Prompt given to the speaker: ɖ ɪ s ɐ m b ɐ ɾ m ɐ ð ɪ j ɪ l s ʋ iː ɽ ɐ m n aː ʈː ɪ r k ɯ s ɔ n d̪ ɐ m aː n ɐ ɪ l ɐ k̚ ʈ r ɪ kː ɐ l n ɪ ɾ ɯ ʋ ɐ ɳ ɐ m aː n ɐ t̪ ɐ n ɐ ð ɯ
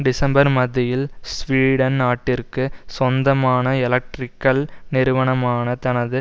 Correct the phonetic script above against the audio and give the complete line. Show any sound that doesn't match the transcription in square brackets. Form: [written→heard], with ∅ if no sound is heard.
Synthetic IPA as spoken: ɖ ɪ s ɐ m b ɐ ɾ m ɐ ð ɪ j ɪ l s ʋ iː ɽ ɐ [m→n] n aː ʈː ɪ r k ɯ s ɔ n d̪ ɐ m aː n ɐ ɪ l ɐ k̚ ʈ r ɪ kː ɐ l n ɪ ɾ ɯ ʋ ɐ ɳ ɐ m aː n ɐ t̪ ɐ n ɐ ð ɯ